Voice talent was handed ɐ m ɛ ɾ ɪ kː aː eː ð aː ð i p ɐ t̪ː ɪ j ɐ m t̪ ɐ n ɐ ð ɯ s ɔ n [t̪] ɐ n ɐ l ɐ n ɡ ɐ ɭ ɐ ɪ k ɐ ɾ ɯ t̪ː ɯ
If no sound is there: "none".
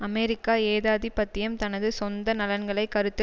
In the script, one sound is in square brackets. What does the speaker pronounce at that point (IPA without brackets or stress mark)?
d̪